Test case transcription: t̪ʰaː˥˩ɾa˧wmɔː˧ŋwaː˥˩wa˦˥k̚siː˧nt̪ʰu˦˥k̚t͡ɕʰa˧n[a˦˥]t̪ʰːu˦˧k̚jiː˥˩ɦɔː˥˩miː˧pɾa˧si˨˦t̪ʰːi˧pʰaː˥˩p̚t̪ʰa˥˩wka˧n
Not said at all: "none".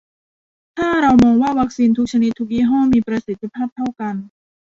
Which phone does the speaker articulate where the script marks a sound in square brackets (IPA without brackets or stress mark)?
i˦˥